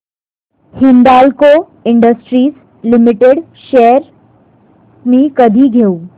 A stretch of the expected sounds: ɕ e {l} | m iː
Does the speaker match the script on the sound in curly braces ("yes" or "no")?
no